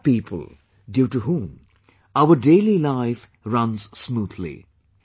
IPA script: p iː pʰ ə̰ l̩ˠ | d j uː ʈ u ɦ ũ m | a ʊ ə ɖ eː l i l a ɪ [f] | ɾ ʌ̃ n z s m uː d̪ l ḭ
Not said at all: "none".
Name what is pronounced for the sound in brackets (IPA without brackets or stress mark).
f